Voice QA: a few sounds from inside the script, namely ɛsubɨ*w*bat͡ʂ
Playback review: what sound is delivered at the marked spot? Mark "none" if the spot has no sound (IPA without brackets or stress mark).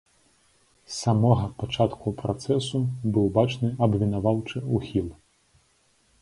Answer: w